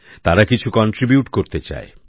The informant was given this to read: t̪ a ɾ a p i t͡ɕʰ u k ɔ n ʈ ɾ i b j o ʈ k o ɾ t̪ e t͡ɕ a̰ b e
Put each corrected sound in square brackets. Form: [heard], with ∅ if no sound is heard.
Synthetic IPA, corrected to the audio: t̪ a ɾ a [k] i t͡ɕʰ u k ɔ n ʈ ɾ i b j [u] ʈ k o ɾ t̪ e t͡ɕ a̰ [∅] e